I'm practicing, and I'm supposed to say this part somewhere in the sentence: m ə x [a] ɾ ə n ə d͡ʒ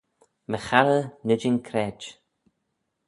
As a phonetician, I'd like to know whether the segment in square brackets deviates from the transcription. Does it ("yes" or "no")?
no